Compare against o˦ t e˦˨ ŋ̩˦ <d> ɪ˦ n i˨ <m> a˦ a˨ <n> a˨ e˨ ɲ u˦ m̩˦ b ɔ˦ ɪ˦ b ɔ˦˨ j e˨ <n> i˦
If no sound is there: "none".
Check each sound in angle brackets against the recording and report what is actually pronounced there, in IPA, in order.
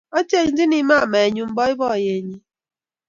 d, m, m, ɲ

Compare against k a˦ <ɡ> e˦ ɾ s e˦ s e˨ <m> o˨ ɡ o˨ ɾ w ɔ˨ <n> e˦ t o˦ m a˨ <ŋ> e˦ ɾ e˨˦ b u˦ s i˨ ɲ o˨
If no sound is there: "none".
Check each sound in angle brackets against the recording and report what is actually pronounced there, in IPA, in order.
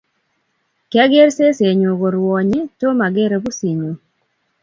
ɡ, ɲ, ɲ, ɡ

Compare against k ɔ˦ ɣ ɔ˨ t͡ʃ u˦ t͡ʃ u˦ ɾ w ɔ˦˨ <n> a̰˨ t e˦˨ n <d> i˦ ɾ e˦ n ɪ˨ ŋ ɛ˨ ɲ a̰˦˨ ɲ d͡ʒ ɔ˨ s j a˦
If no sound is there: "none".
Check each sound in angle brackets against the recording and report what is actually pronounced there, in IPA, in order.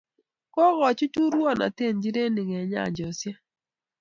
n, d͡ʒ

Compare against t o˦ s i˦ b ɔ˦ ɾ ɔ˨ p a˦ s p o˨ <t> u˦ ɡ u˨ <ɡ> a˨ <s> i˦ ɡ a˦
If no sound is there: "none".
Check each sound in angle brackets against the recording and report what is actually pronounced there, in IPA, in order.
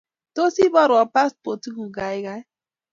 t, ɡ, none

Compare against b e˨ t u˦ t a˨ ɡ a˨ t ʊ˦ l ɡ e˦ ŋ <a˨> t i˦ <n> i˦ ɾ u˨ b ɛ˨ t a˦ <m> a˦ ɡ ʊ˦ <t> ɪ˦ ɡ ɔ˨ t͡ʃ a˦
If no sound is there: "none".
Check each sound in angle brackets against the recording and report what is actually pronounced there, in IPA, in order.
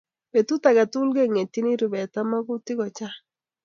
e˨, n, m, t

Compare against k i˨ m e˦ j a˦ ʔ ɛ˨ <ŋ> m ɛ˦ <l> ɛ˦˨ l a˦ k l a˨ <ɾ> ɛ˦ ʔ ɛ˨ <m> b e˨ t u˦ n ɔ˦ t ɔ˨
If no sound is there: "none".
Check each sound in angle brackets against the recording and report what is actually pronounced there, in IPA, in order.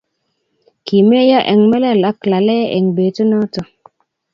ŋ, l, l, ŋ

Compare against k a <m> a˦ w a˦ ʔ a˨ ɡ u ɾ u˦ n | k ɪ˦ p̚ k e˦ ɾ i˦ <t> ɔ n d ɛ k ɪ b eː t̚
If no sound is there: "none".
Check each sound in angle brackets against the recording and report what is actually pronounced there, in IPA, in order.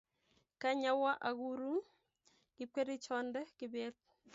ɲ, t͡ʃ

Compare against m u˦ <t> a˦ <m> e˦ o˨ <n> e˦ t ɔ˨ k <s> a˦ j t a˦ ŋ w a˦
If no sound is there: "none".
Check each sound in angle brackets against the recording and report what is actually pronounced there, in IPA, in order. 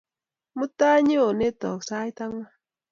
t, ɲ, n, s

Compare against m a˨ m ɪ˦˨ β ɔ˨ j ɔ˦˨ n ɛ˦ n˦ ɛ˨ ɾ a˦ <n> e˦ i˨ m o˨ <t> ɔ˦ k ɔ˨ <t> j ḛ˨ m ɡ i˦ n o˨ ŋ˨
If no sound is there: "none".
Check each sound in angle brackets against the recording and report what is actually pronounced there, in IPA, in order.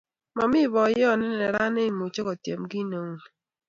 n, t͡ʃ, t

